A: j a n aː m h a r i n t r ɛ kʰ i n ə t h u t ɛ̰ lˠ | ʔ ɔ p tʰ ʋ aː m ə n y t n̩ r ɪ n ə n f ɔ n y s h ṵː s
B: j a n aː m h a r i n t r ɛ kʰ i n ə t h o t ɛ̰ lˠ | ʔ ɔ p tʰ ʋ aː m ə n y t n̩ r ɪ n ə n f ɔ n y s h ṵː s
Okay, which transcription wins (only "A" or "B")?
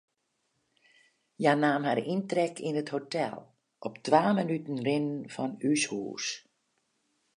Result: B